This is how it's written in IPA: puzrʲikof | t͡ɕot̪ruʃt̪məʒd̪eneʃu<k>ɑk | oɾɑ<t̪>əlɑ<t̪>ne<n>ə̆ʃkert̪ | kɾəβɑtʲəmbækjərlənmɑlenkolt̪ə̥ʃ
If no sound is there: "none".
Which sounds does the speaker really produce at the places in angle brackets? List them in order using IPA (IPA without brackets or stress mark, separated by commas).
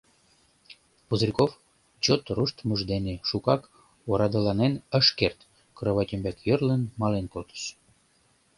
k, d̪, none, n